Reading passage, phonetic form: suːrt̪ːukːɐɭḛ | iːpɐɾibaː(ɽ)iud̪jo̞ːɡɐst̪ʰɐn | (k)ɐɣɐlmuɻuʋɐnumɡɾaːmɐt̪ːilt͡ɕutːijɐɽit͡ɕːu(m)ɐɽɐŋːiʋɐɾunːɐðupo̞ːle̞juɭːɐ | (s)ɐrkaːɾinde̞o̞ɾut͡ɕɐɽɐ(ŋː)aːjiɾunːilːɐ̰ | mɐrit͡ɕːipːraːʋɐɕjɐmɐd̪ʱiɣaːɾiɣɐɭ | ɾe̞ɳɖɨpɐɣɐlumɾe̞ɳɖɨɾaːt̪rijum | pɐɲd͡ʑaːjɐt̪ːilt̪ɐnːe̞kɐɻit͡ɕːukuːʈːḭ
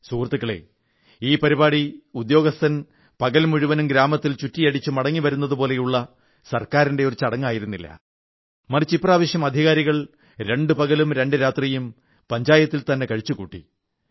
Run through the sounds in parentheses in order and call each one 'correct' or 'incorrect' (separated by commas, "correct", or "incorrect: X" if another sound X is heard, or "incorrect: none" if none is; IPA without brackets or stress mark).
correct, incorrect: p, correct, correct, correct